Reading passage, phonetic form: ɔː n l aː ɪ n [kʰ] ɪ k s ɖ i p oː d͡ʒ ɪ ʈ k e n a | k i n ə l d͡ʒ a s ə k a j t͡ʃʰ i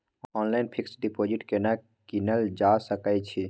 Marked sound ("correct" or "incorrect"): incorrect